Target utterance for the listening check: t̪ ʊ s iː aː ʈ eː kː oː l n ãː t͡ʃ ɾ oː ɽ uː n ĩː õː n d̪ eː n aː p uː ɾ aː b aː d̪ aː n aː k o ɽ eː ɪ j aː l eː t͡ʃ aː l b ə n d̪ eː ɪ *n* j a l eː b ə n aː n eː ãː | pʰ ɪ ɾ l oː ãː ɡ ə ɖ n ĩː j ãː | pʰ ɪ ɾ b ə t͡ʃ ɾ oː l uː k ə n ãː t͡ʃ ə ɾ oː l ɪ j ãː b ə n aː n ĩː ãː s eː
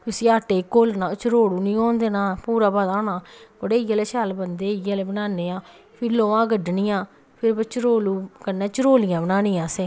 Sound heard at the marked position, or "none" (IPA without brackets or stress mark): none